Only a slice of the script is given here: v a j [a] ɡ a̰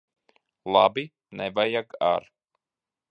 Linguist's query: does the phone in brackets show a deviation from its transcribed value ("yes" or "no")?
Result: no